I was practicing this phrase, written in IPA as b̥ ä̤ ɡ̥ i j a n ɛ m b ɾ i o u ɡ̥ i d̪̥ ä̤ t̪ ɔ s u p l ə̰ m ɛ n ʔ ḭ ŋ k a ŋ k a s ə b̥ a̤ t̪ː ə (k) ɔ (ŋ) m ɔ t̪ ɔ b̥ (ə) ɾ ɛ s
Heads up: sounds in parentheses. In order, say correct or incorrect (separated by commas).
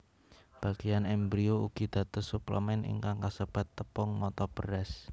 incorrect, correct, correct